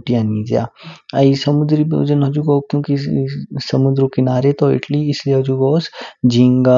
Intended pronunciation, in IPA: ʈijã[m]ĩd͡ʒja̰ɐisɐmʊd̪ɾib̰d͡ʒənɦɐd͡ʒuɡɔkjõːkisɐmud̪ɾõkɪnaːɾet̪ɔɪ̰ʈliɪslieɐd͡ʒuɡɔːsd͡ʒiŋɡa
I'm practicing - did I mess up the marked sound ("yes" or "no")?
yes